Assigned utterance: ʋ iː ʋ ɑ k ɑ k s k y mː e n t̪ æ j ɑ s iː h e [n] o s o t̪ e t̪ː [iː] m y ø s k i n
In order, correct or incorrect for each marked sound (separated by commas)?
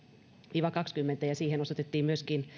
correct, correct